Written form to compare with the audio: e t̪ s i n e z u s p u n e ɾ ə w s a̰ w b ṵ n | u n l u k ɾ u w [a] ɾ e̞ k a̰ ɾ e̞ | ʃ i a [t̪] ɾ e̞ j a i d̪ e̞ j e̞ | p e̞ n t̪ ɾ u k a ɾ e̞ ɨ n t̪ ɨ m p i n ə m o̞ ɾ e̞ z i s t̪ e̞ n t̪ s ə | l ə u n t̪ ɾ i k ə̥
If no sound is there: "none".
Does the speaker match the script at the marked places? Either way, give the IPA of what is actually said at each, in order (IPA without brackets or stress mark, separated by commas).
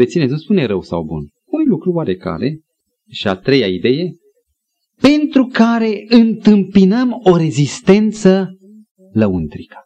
a, t̪